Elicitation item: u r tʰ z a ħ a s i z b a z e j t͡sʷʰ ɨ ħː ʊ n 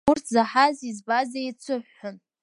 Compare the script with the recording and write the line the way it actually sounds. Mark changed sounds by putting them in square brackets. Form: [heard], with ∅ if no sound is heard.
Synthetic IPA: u r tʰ z a ħ a [z] i z b a z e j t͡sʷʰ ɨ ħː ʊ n